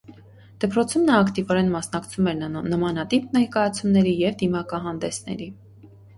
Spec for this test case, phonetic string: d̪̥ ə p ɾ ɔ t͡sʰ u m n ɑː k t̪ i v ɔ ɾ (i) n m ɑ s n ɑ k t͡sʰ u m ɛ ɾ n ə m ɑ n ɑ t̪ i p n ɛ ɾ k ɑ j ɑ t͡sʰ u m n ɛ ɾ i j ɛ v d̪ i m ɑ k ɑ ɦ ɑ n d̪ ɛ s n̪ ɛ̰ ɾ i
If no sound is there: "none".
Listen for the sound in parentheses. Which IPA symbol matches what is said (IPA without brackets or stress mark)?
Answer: ɛ